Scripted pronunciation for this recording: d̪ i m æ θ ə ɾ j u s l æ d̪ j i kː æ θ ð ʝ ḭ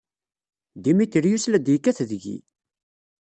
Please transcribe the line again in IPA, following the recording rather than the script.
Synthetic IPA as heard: d̪ i m i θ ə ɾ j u s l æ d̪ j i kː æ θ ð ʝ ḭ